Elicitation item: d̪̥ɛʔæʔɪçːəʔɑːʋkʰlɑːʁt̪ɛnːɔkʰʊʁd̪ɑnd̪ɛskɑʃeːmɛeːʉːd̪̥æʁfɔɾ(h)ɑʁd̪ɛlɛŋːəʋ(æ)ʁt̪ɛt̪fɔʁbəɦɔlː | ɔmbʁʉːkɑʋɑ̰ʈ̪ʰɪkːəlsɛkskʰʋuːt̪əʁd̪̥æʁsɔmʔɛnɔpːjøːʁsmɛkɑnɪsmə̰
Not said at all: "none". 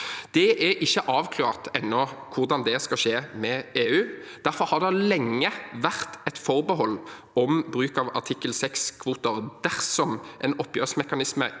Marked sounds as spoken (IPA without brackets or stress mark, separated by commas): h, æ